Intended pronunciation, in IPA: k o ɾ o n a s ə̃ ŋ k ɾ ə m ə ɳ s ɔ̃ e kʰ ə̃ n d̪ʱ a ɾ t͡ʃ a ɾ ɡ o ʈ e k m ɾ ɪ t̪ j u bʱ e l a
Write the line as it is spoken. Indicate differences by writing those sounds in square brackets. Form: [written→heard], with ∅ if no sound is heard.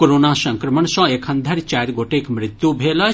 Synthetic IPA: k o ɾ o n a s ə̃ ŋ k ɾ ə m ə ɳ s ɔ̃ e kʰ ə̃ n d̪ʱ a ɾ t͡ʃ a ɾ ɡ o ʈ e k m ɾ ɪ t̪ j u bʱ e l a